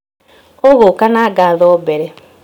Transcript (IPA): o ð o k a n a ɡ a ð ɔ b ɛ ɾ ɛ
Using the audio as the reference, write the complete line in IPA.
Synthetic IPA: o ɣ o k a n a ɡ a ð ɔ b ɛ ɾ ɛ